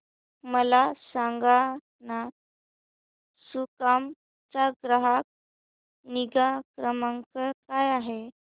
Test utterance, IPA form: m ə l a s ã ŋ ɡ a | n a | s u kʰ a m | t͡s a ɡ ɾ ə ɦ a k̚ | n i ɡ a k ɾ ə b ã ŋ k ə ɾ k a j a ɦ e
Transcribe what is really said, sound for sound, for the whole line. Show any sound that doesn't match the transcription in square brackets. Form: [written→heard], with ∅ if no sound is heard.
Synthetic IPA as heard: m ə l a s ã ŋ ɡ a | n a | s u [kʰ→k] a m | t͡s a ɡ ɾ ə ɦ a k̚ | n i ɡ a k ɾ ə [b→m] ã ŋ k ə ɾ k a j a ɦ e